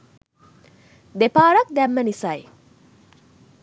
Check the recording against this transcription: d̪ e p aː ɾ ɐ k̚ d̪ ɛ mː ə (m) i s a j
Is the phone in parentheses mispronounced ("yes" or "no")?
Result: yes